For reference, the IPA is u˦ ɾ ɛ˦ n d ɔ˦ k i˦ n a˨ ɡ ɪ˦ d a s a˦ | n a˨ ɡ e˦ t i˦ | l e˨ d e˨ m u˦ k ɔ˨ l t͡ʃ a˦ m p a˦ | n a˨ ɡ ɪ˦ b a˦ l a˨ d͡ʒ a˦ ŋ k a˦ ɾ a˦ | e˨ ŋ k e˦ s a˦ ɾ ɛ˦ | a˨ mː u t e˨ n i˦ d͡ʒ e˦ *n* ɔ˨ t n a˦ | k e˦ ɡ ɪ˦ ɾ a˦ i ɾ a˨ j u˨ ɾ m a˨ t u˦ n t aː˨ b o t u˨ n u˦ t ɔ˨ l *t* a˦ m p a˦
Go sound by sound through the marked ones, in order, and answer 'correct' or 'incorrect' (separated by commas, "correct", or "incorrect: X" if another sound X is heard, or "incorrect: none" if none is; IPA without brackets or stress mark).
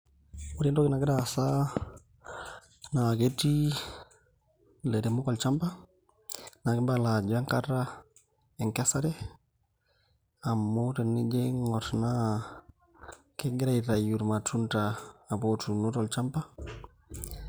incorrect: ŋ, incorrect: t͡ʃ